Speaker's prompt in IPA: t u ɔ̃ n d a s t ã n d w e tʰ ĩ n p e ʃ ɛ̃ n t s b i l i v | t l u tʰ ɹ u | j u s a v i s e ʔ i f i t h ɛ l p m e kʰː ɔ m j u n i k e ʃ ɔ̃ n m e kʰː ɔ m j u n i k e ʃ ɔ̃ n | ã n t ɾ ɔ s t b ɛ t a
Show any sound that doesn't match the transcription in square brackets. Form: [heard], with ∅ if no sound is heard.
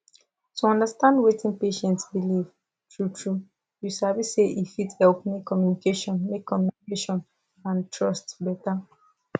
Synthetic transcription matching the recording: t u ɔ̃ n d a s t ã n d w e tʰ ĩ n p e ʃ ɛ̃ n t s b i l i v | t [ɹ] u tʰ ɹ u | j u s a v i s e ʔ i f i t h ɛ l p m e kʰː ɔ m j u n i k e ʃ ɔ̃ n m e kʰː ɔ m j u n i k e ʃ ɔ̃ n | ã n t [ɹ] ɔ s t b ɛ t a